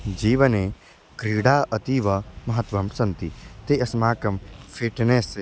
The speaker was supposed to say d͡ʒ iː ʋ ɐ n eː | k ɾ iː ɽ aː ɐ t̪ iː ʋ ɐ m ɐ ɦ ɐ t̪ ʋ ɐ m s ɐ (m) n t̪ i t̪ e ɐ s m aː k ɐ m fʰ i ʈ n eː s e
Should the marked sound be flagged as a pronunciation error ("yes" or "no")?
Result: yes